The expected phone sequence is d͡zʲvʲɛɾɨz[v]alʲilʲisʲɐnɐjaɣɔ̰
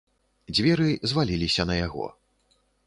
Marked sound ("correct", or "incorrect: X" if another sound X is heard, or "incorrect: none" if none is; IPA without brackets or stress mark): correct